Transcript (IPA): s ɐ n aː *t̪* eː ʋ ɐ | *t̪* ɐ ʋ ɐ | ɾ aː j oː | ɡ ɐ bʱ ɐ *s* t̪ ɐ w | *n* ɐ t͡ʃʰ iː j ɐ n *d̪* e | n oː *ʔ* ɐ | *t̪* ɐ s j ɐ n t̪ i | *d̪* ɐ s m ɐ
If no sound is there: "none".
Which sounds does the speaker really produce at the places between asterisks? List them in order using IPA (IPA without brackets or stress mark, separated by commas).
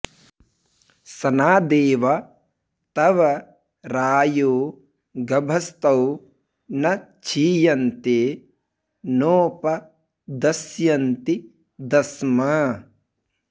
d̪, t̪, s, n, t̪, p, d̪, d̪